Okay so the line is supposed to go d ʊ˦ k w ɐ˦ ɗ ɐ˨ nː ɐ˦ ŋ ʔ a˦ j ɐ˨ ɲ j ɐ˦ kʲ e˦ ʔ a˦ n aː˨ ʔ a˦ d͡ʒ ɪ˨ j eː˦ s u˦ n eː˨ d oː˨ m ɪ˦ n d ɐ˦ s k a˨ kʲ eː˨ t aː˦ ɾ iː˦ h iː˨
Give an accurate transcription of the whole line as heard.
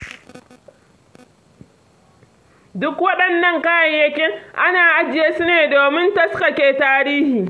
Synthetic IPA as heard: d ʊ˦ k w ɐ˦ ɗ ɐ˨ nː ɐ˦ ŋ k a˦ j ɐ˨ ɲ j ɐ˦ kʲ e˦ ʔ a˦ n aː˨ ʔ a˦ d͡ʒ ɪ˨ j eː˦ s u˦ n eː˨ d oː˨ m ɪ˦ n t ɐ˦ s k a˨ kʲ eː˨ t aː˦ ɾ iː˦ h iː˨